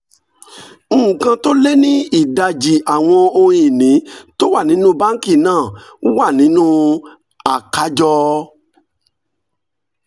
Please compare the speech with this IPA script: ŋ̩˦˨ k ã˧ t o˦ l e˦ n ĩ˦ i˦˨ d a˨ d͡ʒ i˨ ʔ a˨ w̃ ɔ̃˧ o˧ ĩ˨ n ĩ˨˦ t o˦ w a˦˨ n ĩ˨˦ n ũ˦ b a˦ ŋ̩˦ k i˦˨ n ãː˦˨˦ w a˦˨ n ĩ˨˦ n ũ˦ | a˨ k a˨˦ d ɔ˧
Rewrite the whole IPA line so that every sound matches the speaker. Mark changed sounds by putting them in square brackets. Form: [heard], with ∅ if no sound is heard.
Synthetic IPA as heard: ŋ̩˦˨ k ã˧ t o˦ l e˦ n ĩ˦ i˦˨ d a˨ d͡ʒ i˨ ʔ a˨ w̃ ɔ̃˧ o˧ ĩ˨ n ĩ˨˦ t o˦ w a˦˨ n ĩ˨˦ n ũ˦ b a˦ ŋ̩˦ k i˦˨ n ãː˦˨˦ w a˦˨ n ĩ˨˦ n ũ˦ | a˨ k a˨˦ [d͡ʒ] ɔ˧